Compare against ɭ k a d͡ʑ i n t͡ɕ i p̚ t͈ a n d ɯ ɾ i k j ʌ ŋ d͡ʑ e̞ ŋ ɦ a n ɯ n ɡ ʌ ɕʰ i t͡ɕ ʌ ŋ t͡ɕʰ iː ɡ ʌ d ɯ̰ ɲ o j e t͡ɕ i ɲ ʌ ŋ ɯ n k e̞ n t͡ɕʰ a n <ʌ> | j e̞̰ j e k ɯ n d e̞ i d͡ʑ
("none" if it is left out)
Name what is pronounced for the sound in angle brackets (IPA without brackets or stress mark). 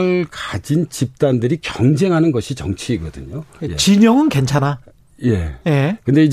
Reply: a